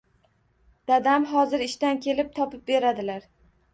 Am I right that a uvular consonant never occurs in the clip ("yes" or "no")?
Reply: yes